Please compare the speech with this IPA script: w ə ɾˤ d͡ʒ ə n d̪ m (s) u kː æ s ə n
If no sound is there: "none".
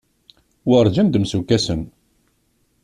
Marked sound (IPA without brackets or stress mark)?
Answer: s